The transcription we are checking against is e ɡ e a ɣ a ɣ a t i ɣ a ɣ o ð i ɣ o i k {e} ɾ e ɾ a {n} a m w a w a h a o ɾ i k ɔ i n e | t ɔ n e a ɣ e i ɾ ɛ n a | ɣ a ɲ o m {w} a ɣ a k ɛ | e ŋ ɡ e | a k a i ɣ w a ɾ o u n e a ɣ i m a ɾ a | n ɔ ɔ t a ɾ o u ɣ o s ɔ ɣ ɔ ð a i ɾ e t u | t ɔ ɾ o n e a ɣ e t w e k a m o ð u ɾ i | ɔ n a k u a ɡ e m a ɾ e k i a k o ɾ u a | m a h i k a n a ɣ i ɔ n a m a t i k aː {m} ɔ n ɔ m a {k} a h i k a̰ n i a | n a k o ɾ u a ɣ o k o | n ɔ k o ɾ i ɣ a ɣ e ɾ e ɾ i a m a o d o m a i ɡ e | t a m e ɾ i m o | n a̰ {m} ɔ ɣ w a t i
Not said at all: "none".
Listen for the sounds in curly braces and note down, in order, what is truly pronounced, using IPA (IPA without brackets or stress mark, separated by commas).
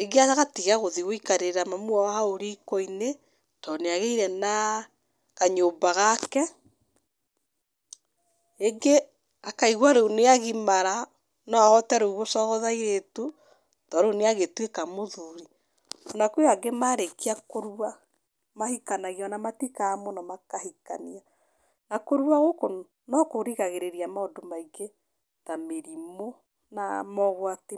a, m, b, m, k, m